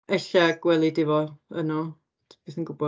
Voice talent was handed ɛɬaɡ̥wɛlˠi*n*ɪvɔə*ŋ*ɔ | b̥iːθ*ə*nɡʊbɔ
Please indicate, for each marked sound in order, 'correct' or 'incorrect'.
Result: incorrect: d, incorrect: n, correct

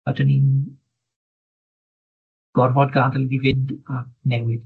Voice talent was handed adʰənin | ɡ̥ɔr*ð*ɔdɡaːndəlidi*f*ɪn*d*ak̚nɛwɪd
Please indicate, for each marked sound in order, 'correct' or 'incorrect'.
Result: incorrect: v, incorrect: v, correct

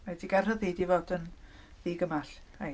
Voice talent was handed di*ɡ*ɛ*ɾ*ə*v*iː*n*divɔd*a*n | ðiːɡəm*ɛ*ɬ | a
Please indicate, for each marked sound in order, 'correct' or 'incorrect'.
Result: correct, incorrect: r, incorrect: ð, incorrect: none, incorrect: ə, incorrect: a

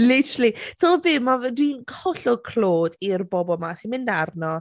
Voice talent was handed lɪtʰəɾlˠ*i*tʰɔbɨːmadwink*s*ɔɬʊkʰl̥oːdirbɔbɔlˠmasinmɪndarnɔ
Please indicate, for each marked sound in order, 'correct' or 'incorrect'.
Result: correct, incorrect: h

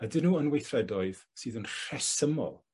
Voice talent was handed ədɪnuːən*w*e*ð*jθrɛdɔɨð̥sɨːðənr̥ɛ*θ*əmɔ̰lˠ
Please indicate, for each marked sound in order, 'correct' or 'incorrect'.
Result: correct, incorrect: none, incorrect: s

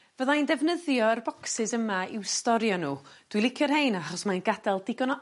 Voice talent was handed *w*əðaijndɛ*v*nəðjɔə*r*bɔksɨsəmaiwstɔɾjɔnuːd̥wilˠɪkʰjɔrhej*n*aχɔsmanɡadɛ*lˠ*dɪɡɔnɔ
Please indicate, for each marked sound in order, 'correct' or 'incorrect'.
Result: incorrect: v, correct, correct, correct, correct

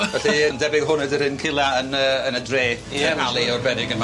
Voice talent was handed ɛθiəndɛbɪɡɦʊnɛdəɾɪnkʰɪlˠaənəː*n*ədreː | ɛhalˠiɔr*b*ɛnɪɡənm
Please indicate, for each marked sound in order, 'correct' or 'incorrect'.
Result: correct, correct

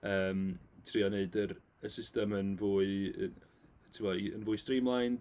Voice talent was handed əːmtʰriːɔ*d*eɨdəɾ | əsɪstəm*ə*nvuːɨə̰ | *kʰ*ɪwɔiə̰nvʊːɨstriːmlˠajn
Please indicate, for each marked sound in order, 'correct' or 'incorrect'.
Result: incorrect: n, correct, incorrect: tʰ

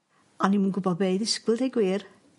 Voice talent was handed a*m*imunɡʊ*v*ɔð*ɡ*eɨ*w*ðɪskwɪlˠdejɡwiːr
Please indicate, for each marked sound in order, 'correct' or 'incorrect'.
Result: incorrect: n, incorrect: b, incorrect: b, incorrect: none

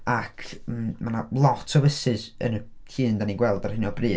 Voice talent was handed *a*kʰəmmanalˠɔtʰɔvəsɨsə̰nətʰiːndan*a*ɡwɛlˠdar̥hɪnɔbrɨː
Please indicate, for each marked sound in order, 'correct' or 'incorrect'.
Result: correct, incorrect: i

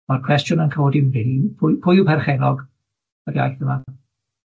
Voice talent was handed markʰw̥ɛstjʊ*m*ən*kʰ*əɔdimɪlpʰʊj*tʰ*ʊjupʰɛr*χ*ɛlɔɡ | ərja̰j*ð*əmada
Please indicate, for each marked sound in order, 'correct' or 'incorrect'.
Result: incorrect: n, correct, incorrect: pʰ, correct, incorrect: θ

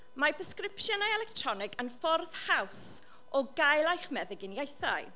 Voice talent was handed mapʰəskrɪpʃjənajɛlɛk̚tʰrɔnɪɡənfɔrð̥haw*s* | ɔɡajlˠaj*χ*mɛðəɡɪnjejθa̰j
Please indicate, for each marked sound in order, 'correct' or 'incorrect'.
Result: correct, correct

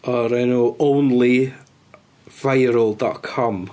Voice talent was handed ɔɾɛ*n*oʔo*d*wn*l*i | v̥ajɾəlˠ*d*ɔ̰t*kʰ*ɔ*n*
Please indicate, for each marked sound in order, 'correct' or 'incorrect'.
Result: correct, incorrect: none, correct, correct, correct, incorrect: m

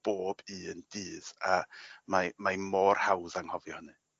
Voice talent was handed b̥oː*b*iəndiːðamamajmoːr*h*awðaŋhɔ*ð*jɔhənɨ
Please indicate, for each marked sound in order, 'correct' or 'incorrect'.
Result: correct, correct, incorrect: v

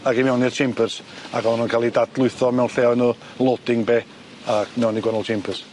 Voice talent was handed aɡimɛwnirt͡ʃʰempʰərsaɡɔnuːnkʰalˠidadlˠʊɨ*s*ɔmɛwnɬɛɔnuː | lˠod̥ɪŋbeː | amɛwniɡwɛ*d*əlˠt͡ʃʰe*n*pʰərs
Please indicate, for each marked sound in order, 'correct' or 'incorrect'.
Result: incorrect: θ, incorrect: n, incorrect: m

